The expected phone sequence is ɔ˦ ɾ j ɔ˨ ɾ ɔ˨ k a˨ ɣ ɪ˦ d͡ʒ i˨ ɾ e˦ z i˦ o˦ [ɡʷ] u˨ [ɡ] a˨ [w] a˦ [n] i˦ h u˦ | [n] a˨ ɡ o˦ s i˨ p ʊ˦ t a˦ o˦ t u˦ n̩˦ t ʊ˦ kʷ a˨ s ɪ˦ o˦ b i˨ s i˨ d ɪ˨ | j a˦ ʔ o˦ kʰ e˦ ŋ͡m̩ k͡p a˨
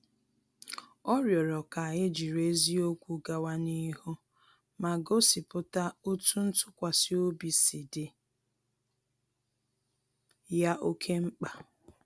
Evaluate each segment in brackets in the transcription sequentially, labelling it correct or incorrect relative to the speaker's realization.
incorrect: kʷ, correct, correct, correct, incorrect: m

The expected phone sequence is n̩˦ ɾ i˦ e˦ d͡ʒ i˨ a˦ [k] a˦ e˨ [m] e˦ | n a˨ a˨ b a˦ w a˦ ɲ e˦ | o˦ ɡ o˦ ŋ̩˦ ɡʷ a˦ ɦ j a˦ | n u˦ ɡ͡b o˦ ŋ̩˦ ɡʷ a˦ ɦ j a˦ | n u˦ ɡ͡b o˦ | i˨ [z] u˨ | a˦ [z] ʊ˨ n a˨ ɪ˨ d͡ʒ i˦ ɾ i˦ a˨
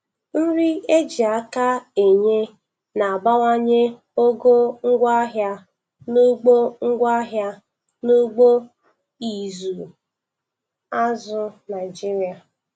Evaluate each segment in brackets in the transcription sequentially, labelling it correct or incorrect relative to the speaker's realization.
correct, incorrect: ɲ, correct, correct

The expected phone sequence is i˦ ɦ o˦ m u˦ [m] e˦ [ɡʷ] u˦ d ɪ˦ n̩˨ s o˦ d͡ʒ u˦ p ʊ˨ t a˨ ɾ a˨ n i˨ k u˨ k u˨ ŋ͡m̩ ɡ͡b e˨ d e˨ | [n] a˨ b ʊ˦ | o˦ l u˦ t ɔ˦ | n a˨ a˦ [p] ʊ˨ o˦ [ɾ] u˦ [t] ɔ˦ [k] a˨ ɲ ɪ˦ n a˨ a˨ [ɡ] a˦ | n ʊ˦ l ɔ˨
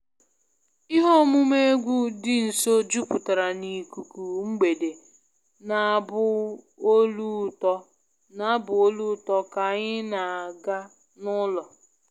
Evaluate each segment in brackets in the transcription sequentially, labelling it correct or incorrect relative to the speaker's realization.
correct, correct, correct, incorrect: b, incorrect: l, correct, correct, correct

